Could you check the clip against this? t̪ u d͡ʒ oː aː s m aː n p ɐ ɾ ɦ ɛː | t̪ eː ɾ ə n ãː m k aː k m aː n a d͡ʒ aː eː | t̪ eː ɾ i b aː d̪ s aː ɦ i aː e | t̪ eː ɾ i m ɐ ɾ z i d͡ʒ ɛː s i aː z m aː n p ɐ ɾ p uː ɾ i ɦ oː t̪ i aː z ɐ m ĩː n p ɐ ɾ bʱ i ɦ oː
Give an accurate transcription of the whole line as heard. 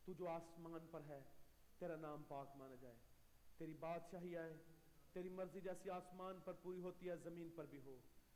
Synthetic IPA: t̪ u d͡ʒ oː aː s m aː n p ɐ ɾ ɦ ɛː | t̪ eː ɾ a n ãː m p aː k m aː n a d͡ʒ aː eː | t̪ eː ɾ i b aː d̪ ʃ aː ɦ i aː e | t̪ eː ɾ i m ɐ ɾ z i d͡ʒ ɛː s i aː s m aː n p ɐ ɾ p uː ɾ i ɦ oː t̪ i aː z ɐ m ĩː n p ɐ ɾ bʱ i ɦ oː